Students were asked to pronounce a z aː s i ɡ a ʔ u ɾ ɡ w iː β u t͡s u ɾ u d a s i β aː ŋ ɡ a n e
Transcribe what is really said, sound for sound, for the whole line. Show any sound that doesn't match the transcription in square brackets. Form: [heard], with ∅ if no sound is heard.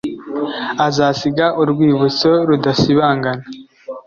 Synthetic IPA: a z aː s i ɡ a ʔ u ɾ ɡ w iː β u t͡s [o] ɾ u d a s i β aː ŋ ɡ a n [a]